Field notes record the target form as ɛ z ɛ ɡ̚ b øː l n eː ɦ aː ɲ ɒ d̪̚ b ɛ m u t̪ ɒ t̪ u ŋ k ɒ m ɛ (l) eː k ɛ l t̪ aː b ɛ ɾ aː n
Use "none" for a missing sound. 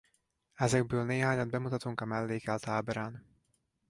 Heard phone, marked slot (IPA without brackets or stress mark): lː